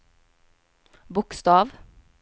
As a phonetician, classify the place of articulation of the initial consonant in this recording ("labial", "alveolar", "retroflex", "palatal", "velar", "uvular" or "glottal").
labial